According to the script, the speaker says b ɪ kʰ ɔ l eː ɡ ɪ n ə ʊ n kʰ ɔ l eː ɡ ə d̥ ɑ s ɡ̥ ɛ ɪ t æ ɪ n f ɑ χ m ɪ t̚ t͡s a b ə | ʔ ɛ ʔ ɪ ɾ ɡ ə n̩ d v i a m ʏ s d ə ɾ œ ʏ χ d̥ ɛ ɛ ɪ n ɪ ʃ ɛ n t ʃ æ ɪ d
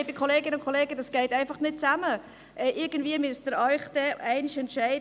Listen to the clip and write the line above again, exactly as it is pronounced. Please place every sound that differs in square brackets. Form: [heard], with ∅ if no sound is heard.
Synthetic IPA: b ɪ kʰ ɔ l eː ɡ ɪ n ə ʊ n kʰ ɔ l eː ɡ ə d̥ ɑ s ɡ̥ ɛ ɪ t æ ɪ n f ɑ χ [n] ɪ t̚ t͡s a [m] ə | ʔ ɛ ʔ ɪ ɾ ɡ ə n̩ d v i [ə] m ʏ s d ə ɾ œ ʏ χ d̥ ɛ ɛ ɪ n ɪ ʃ ɛ n t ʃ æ ɪ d